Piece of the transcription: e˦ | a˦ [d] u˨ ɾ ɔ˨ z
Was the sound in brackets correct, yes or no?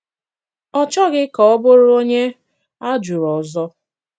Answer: no